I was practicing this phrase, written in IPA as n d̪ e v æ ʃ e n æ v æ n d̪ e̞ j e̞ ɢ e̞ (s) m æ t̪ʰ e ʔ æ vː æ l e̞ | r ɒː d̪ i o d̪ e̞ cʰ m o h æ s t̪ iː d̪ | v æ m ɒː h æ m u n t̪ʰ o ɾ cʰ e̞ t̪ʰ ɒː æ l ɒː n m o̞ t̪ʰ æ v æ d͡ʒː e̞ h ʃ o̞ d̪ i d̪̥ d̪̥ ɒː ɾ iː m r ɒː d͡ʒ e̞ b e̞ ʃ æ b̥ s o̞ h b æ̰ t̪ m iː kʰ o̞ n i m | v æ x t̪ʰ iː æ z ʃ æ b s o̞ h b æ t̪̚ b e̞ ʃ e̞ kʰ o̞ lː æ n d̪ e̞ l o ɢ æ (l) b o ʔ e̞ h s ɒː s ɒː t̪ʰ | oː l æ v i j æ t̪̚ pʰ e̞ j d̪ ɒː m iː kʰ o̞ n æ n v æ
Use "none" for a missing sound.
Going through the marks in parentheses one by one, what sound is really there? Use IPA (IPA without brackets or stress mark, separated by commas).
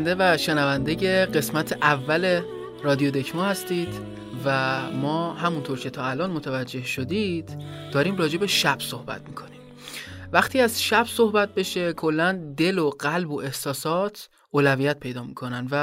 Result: s, l